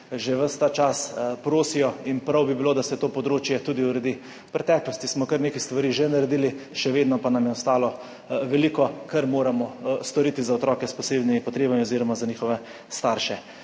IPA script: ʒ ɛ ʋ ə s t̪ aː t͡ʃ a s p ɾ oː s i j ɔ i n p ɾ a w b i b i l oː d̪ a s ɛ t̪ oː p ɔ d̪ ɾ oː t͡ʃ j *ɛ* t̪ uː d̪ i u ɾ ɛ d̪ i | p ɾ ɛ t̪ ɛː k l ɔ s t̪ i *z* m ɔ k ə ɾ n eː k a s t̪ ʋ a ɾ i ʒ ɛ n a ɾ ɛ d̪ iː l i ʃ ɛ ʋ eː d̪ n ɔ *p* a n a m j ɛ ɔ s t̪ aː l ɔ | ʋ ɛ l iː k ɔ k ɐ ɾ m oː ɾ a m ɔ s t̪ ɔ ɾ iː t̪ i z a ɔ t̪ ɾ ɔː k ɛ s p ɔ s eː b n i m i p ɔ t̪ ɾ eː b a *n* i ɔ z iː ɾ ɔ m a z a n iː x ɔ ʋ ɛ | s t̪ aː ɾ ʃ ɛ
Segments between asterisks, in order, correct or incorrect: correct, incorrect, correct, incorrect

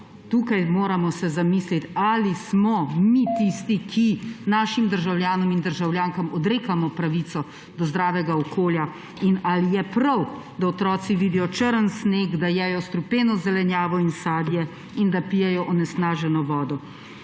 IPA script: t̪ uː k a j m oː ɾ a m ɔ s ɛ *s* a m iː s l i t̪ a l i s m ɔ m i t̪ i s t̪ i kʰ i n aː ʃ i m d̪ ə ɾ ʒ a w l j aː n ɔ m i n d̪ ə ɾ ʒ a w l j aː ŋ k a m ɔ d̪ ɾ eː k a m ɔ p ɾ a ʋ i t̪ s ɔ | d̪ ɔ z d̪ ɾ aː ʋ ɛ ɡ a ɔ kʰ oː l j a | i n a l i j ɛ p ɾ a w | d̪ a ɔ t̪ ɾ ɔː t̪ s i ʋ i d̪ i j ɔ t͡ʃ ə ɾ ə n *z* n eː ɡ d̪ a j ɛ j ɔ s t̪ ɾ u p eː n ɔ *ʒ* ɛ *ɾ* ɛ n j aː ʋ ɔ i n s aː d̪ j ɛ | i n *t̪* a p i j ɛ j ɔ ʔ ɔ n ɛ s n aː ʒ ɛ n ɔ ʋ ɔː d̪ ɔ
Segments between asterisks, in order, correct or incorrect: incorrect, incorrect, incorrect, incorrect, incorrect

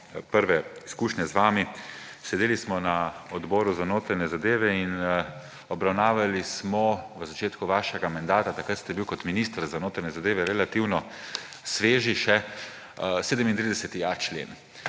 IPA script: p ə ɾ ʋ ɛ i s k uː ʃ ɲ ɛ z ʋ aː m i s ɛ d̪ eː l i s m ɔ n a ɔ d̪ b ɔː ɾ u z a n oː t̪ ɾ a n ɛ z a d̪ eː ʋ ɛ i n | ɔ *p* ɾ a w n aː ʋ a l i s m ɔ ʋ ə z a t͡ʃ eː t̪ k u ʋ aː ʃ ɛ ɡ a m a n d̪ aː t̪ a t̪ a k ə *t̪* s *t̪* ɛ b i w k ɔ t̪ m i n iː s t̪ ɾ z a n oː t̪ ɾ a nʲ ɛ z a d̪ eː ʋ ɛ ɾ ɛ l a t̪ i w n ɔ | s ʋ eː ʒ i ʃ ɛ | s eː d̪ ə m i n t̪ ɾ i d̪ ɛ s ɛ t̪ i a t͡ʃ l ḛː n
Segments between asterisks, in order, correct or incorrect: incorrect, correct, correct

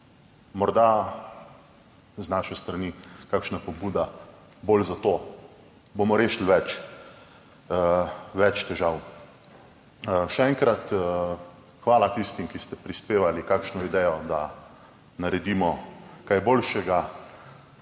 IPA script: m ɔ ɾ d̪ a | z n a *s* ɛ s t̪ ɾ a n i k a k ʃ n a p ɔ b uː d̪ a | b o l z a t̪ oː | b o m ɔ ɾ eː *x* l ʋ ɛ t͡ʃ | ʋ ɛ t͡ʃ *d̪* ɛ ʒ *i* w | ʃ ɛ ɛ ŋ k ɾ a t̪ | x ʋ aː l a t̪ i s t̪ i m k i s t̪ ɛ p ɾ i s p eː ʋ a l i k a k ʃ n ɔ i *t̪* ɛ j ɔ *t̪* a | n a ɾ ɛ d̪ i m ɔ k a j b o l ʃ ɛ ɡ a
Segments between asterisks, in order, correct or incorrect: incorrect, incorrect, incorrect, incorrect, incorrect, incorrect

